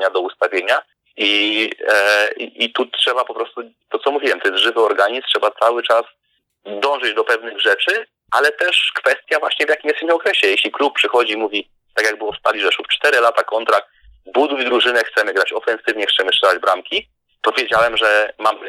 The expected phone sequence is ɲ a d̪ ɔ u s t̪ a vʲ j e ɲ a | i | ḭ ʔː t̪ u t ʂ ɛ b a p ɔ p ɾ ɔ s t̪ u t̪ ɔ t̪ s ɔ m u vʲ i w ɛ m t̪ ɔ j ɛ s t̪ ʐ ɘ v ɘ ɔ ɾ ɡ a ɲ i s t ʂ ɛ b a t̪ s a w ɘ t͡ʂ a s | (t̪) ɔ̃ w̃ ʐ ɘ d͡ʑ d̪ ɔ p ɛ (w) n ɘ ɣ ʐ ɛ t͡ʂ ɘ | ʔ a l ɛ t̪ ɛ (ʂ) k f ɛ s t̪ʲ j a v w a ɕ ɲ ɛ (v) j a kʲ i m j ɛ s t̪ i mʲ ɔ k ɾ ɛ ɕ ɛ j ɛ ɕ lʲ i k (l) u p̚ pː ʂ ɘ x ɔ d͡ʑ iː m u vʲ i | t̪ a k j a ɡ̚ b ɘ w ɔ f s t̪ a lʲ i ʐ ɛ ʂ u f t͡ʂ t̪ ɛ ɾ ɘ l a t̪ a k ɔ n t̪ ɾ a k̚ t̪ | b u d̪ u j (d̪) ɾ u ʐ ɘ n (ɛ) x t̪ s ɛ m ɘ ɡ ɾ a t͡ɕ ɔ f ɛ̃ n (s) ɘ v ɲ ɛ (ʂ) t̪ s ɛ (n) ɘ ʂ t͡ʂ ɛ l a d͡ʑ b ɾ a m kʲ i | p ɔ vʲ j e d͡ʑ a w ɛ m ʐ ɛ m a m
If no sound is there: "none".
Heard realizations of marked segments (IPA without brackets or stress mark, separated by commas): d̪, v, ʂ, v, l, d̪, ɛ, s, x, m